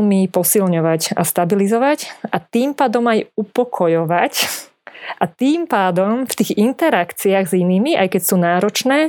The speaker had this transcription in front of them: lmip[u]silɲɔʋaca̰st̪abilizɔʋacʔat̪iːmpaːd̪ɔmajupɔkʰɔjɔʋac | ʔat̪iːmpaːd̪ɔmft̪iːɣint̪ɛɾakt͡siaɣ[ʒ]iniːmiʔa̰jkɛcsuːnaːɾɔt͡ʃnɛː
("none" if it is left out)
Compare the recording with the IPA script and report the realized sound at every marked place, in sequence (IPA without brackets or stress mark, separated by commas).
ɔ, z